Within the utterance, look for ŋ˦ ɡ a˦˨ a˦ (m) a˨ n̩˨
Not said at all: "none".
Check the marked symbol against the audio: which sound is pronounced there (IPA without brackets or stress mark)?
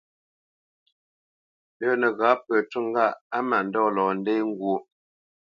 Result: m